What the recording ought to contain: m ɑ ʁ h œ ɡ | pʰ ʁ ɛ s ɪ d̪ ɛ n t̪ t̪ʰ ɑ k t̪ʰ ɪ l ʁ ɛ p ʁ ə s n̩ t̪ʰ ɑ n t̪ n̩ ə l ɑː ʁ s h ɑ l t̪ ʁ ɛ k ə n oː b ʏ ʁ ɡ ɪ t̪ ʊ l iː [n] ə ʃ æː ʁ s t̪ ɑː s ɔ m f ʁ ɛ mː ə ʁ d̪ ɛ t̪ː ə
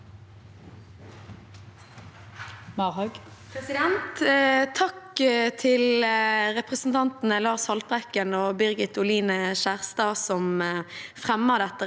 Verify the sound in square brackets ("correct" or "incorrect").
correct